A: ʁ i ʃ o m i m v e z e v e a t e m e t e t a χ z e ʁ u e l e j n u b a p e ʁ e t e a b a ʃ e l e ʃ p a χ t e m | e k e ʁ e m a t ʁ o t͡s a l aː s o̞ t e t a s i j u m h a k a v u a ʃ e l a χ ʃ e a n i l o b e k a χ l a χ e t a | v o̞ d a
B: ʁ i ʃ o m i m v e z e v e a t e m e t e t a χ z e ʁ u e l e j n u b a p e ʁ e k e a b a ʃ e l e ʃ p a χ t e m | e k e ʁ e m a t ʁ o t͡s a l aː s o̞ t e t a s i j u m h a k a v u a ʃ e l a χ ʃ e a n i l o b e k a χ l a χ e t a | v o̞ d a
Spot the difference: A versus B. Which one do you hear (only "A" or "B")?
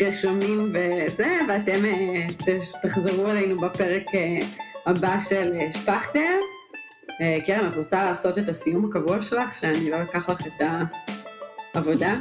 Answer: B